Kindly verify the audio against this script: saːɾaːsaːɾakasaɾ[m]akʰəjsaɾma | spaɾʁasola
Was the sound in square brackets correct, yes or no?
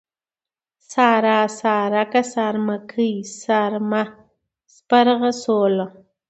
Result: yes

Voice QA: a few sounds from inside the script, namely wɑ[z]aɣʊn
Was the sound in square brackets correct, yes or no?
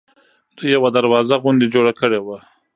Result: yes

